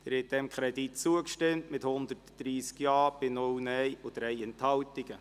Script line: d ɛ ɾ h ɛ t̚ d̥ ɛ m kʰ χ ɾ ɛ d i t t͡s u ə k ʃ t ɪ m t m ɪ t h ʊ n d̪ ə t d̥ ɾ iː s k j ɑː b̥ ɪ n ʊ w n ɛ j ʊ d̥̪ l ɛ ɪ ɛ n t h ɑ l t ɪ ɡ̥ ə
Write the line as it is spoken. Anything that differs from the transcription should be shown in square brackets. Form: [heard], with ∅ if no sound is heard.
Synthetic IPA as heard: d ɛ ɾ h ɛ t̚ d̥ ɛ m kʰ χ ɾ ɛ d i t t͡s u ə k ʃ t ɪ m t m ɪ t h ʊ n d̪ ə t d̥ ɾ iː s k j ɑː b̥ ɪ n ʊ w n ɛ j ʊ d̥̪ [ɾ] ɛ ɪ ɛ n t h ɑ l t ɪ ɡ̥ ə